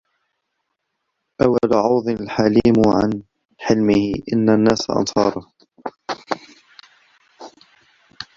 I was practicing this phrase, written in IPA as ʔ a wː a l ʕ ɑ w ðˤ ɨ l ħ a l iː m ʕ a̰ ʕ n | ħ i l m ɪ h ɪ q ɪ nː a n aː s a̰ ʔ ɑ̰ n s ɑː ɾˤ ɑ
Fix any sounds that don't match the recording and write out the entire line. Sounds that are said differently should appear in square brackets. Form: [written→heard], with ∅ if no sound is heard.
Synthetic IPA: ʔ a wː a l ʕ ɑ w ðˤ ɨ l ħ a l iː m ʕ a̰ [ʕ→∅] n | ħ [i→ɪ] l m ɪ h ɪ [q→ʔ] ɪ nː a [n→nː] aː s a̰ ʔ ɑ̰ n s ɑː ɾˤ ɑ